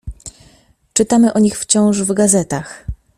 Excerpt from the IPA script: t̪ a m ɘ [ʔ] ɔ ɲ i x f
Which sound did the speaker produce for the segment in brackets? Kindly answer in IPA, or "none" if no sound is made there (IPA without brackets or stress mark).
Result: ʔ